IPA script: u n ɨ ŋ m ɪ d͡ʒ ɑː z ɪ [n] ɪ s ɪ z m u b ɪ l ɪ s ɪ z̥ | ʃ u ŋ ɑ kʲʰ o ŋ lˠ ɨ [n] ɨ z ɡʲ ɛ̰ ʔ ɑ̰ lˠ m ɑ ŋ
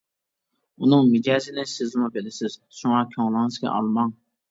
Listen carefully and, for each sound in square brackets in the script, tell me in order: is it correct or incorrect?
correct, incorrect

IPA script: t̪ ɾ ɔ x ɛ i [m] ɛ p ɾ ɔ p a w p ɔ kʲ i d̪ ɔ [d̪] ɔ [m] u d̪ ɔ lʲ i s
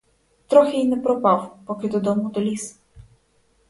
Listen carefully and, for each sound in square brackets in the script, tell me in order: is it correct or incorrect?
incorrect, correct, correct

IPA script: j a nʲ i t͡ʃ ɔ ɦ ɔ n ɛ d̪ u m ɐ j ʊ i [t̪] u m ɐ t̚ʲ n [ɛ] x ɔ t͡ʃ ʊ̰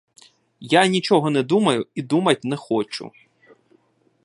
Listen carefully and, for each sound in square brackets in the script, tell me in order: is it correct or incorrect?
incorrect, correct

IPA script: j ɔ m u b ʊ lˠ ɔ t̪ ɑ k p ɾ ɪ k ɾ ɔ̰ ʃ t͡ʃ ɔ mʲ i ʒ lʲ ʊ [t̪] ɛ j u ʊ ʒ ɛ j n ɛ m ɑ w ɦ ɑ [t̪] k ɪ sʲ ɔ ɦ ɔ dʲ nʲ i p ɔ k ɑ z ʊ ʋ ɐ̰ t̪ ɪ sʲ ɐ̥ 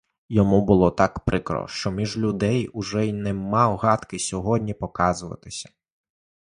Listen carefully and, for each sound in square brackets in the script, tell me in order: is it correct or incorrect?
incorrect, correct

